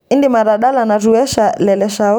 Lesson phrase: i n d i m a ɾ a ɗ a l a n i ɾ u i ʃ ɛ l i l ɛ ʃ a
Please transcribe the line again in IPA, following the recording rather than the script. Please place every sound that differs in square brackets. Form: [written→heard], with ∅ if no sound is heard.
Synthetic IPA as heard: i n d i m a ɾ a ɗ a l a n [i→a] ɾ u [i→ɛ] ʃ [ɛ→a] l [i→ɛ] l ɛ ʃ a